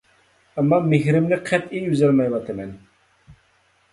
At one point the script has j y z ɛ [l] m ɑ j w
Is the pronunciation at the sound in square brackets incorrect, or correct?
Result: correct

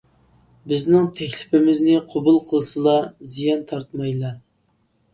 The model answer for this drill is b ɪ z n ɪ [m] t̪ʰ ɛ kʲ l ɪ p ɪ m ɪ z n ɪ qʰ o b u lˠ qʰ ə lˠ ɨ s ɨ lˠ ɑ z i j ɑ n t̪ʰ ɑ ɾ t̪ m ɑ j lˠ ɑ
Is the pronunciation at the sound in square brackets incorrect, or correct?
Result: incorrect: ŋ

